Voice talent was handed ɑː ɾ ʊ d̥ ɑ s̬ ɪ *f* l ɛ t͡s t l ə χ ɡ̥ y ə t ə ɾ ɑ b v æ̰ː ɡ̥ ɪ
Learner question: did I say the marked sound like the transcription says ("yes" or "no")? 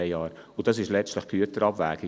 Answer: no